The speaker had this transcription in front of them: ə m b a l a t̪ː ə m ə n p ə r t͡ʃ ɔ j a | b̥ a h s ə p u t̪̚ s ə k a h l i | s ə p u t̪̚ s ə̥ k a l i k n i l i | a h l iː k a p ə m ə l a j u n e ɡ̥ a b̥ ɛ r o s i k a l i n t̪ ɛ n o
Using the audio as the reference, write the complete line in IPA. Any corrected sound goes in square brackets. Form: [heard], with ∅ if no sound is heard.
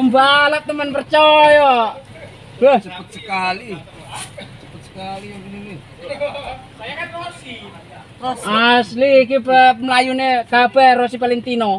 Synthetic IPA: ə m b a l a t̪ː ə m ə n p ə r t͡ʃ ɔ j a | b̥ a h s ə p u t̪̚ s ə k a [∅] l i | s ə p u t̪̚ s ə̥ k a l i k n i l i | a [s] l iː k [i] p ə m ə l a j u n e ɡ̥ a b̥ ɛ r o s i [p] a l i n t̪ [i] n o